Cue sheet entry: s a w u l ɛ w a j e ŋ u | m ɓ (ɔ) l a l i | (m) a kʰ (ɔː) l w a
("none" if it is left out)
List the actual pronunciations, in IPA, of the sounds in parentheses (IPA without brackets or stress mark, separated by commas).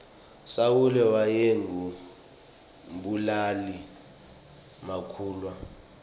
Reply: u, m, uː